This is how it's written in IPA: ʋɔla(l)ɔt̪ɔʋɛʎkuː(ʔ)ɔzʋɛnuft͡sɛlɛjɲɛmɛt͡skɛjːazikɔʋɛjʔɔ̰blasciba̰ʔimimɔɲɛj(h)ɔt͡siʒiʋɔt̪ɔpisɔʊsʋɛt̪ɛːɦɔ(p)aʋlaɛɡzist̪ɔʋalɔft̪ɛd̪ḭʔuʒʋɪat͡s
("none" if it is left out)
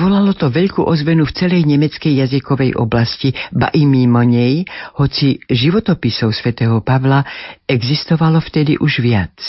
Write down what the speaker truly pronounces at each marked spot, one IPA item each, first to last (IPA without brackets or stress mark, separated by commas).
l, ʔ, h, p